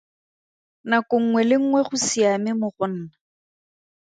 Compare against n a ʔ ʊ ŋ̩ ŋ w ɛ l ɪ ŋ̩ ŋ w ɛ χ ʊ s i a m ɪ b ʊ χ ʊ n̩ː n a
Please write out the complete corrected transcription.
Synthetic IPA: n a k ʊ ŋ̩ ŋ w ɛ l ɪ ŋ̩ ŋ w ɛ χ ʊ s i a m ɪ m ʊ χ ʊ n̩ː n a